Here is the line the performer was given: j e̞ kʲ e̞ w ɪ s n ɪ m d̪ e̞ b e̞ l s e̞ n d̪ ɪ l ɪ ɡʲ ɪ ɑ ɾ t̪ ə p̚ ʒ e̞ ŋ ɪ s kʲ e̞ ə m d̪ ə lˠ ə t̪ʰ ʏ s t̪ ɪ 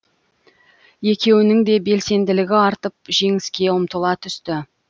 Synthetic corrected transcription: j e̞ kʲ e̞ w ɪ n ɪ ŋ d̪ e̞ b e̞ l s e̞ n d̪ ɪ l ɪ ɡʲ ɪ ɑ ɾ t̪ ə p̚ ʒ e̞ ŋ ɪ s kʲ e̞ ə m t̪ ə lˠ ɑ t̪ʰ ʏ s t̪ ɪ